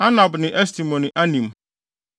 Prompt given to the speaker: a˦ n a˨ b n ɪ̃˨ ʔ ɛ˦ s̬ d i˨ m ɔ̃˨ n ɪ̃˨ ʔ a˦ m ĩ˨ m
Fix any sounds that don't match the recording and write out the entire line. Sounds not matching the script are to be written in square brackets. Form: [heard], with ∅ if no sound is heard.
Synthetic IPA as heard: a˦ n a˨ b n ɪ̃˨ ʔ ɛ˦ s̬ [t] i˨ m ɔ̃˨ n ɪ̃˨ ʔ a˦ [n] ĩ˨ m